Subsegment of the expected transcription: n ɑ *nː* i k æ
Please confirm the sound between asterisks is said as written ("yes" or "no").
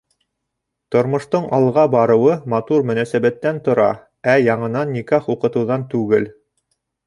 yes